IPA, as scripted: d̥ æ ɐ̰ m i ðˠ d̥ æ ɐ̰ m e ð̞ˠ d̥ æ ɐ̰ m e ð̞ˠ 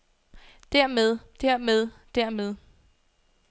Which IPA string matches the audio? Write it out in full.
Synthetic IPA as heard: d̥ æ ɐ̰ m e ðˠ d̥ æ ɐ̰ m e ð̞ˠ d̥ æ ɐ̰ m e ð̞ˠ